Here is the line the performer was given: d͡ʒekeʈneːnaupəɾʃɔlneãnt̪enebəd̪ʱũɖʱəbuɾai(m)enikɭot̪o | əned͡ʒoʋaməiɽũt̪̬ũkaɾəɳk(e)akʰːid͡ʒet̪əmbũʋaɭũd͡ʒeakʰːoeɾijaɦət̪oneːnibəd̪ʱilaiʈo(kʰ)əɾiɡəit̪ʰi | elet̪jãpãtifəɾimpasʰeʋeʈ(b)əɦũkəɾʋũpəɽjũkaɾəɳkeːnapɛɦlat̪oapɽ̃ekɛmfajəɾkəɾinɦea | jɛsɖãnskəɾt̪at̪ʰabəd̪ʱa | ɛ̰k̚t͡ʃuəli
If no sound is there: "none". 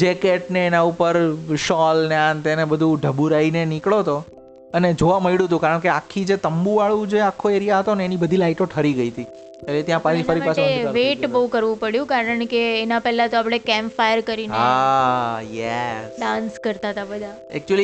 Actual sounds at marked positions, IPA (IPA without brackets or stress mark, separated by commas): n, e, ʈʰ, b